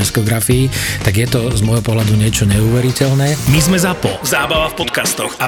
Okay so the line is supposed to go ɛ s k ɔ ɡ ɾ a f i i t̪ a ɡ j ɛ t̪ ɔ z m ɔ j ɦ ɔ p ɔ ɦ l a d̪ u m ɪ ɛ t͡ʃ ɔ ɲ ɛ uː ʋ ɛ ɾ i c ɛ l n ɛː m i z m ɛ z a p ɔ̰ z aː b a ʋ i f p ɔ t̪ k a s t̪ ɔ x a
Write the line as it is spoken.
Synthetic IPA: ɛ s k ɔ ɡ ɾ a f i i t̪ a ɡ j ɛ t̪ ɔ z m ɔ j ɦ ɔ p ɔ ɦ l a d̪ u ɲ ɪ ɛ t͡ʃ ɔ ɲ ɛ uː ʋ ɛ ɾ i c ɛ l n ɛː m i z m ɛ z a p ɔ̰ z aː b a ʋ a f p ɔ t̪ k a s t̪ ɔ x a